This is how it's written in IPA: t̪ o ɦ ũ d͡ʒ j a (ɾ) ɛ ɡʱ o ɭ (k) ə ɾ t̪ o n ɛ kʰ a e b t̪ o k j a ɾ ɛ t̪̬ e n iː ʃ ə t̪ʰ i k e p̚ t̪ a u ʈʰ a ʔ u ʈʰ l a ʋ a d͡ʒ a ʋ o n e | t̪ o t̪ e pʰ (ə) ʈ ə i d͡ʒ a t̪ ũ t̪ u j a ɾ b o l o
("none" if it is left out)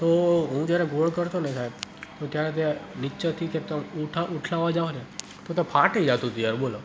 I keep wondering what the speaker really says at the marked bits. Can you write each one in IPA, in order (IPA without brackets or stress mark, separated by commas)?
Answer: ɾ, k, a